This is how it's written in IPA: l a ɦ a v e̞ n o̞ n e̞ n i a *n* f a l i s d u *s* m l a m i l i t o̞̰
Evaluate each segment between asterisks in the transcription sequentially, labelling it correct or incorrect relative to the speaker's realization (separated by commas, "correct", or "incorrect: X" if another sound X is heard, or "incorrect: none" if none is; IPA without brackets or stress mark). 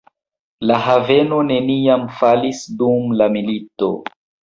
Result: incorrect: m, incorrect: none